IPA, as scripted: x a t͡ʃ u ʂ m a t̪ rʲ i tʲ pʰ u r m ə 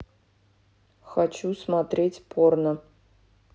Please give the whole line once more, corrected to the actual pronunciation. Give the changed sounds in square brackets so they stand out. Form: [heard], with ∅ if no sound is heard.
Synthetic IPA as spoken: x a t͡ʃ u [s] m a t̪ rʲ [e] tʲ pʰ [o] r [n] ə